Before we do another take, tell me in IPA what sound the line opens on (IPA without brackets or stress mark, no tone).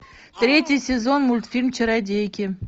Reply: t̪